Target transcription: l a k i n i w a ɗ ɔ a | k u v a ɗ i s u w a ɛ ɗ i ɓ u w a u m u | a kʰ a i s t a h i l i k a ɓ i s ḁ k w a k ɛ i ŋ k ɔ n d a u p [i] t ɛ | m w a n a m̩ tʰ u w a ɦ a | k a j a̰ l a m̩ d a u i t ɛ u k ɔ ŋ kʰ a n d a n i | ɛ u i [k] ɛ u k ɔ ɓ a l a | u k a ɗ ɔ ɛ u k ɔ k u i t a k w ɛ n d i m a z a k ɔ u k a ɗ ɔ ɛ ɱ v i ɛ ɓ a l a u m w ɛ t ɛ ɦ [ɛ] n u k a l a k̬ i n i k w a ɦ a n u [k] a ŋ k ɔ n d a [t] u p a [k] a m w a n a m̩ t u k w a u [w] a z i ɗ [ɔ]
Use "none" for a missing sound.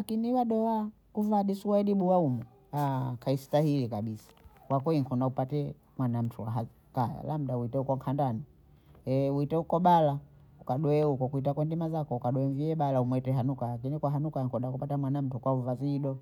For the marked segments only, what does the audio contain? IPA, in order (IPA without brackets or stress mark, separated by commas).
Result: a, t, a, k, k, t, v, ɔ